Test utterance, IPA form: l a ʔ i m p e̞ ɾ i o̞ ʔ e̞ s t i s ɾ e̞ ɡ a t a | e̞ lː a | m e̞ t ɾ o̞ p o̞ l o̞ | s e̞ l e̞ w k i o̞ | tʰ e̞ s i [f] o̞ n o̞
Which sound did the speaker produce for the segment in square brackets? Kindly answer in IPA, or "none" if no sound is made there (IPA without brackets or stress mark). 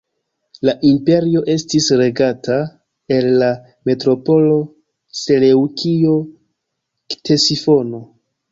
f